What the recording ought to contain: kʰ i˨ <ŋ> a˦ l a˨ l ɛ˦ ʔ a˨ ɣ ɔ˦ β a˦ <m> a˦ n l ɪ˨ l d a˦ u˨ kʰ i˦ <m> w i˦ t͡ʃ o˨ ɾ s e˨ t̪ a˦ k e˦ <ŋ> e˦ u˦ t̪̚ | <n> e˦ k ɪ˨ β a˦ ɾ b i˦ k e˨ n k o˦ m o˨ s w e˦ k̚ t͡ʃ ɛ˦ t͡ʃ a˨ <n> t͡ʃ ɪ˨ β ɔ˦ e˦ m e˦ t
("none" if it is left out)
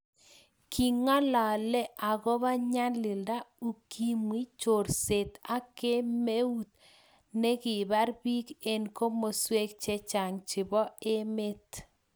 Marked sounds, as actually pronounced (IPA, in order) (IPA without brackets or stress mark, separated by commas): ŋ, ɲ, m, m, n, ŋ